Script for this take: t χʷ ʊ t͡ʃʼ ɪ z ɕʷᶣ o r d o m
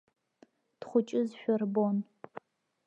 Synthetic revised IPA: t χʷ ʊ t͡ʃʼ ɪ z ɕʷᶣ ɔ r b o n